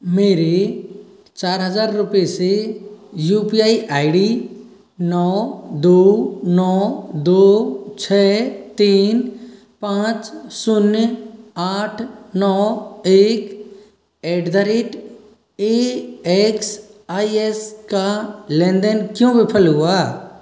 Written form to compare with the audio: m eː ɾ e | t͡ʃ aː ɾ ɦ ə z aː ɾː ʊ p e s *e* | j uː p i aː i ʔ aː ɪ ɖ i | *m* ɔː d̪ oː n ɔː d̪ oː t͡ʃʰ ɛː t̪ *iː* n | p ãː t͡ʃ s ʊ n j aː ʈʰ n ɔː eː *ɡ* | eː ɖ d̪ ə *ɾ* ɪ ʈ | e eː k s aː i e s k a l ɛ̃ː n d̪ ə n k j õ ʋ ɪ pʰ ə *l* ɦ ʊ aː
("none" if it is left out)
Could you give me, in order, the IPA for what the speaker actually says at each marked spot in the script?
e, n, iː, k, ɾ, l

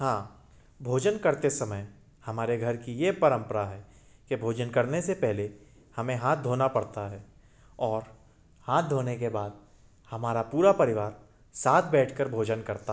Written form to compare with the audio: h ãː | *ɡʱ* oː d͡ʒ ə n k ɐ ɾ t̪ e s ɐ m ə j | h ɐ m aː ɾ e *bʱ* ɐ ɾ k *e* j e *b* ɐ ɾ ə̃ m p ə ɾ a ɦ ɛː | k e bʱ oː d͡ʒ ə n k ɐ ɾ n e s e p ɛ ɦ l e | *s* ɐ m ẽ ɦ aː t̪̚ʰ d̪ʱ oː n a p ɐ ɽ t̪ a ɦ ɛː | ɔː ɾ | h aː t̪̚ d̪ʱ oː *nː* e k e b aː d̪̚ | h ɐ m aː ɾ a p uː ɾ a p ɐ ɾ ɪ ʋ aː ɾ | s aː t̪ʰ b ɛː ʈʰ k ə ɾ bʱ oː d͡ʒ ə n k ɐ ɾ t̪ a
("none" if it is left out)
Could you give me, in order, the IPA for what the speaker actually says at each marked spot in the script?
bʱ, ɡʱ, i, p, h, n

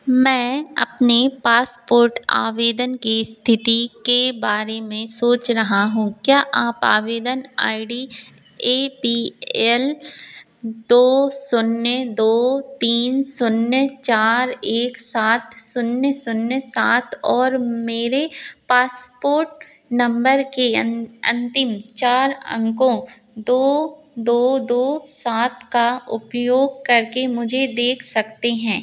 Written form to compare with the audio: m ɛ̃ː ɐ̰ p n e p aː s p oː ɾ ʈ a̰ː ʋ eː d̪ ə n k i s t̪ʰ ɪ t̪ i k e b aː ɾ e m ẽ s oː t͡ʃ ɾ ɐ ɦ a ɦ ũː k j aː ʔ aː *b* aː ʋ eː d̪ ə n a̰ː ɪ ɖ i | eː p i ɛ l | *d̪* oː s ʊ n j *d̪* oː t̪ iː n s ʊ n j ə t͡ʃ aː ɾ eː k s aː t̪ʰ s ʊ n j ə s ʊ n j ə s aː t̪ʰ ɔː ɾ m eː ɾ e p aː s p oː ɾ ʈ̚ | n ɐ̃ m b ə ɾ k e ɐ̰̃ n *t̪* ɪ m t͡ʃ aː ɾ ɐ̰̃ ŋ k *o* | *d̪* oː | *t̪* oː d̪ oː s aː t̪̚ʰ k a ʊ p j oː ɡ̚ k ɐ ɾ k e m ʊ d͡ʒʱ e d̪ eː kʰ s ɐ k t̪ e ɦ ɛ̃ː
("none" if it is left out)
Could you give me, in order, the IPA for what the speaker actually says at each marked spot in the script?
p, d̪, d̪, t̪, õ, d̪, d̪

